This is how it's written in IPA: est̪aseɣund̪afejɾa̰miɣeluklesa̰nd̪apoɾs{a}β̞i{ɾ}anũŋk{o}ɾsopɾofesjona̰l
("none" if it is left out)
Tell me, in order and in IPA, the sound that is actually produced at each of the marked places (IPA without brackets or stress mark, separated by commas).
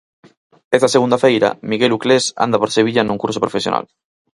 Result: e, ʎ, u